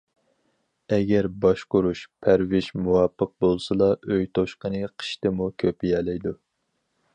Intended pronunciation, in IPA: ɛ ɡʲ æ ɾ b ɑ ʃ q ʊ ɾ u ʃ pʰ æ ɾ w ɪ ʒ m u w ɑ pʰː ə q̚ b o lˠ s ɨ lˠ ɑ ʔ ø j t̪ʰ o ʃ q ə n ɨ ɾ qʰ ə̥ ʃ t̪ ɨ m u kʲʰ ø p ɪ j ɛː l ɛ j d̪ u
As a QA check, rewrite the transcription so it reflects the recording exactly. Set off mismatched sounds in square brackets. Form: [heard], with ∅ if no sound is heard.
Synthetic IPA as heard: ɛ ɡʲ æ ɾ b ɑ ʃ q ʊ ɾ u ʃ pʰ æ ɾ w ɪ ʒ m u w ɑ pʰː ə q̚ b o lˠ s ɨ lˠ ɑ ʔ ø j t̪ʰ o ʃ q ə n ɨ [∅] qʰ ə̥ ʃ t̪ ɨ m u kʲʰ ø p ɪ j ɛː l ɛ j d̪ u